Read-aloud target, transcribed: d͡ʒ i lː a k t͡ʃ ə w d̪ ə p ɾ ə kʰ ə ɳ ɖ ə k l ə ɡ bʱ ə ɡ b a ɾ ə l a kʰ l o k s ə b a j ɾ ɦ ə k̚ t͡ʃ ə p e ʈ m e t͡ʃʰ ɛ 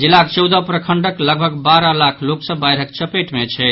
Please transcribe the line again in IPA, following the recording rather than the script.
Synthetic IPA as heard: d͡ʒ i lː a k t͡ʃ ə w d̪ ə p ɾ ə kʰ ə ɳ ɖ ə k l ə ɡ bʱ ə ɡ b a ɾ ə l a kʰ l o k s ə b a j ɾ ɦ ə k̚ t͡ʃ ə p e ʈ m e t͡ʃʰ ɛ